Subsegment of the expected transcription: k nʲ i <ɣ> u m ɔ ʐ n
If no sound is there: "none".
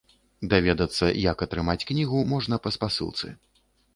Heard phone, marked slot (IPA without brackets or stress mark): ɣ